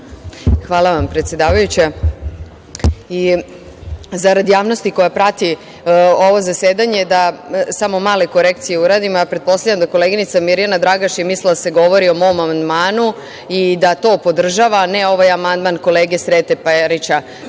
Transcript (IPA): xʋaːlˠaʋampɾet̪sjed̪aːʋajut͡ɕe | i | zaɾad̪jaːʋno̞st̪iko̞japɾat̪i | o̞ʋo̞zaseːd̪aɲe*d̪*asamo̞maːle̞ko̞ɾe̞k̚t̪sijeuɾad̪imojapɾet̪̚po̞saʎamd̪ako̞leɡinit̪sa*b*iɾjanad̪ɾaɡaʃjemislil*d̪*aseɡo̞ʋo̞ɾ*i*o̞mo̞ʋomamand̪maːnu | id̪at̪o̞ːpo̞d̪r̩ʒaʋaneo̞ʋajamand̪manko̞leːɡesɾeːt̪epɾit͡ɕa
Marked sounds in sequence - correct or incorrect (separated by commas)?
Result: correct, incorrect, correct, correct